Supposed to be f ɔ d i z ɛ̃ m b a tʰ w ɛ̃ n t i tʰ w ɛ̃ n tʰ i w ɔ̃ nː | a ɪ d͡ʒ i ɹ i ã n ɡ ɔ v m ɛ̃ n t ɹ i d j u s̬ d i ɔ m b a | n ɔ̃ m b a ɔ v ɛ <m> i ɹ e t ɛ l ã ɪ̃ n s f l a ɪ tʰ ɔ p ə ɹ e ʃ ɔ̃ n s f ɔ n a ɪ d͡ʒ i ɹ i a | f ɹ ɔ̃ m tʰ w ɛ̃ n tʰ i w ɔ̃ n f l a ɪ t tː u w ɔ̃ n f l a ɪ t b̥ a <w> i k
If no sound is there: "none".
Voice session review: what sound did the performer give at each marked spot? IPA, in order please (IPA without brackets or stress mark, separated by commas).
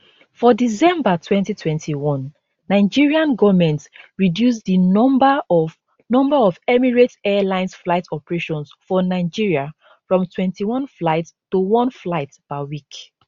m, w